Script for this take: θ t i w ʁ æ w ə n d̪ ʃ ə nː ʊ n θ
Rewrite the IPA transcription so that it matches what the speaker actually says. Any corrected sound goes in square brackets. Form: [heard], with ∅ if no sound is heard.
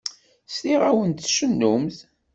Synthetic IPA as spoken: [s] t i [∅] ʁ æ w ə n [t̪] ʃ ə nː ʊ [m] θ